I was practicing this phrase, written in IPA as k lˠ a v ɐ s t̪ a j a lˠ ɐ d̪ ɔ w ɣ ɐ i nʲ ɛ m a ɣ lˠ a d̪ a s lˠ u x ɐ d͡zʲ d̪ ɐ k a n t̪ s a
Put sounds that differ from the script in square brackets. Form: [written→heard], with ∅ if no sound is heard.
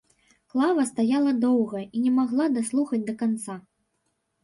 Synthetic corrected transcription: k lˠ a v ɐ s t̪ a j a lˠ ɐ d̪ ɔ w ɣ ɐ i nʲ ɛ m a ɣ lˠ a d̪ a s lˠ u x ɐ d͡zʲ d̪ ɐ k a n t̪ s a